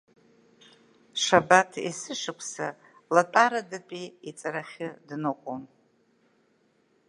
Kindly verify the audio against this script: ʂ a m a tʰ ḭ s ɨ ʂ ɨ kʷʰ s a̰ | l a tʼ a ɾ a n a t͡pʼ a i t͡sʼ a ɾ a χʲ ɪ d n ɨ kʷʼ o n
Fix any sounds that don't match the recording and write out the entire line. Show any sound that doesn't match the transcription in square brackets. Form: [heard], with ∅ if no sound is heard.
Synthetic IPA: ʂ a [b] a tʰ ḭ s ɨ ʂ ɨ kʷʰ s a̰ | l a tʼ a ɾ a [d] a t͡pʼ [i] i t͡sʼ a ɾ a χʲ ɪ d n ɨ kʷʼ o n